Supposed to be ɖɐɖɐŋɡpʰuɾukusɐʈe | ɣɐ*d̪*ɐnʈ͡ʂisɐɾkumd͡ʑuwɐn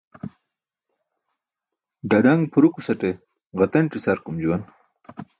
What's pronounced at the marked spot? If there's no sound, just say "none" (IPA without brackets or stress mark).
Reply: t̪